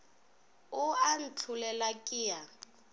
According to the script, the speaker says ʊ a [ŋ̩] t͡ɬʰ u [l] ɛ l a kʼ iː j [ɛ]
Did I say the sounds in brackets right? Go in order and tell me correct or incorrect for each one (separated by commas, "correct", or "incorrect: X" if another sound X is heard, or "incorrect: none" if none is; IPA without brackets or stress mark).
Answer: incorrect: n̩, correct, incorrect: a